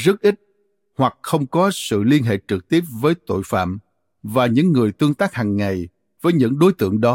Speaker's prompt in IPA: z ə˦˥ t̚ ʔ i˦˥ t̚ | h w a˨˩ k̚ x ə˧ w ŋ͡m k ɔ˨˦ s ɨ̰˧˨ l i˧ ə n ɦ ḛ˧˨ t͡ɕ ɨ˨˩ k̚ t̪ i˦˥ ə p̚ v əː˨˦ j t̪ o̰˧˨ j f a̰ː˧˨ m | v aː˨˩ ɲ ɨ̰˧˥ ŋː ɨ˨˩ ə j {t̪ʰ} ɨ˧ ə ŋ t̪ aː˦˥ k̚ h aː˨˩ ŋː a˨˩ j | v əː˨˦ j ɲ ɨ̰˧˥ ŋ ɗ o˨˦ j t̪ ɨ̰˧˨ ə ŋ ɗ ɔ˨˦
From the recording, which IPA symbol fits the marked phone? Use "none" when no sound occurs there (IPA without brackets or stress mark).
t̪